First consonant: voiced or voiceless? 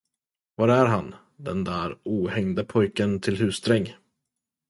voiced